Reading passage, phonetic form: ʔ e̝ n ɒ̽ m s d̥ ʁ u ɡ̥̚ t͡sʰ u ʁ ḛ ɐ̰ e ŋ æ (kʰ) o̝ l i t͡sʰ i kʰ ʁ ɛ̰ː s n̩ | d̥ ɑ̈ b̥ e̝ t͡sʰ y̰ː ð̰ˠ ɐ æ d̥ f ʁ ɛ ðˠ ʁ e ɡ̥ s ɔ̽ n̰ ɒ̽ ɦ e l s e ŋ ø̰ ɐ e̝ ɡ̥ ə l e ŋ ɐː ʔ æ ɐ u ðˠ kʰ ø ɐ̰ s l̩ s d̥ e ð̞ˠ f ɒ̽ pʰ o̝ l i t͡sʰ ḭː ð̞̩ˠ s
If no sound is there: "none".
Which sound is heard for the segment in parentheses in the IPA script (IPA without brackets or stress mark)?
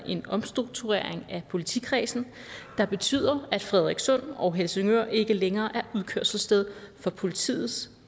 pʰ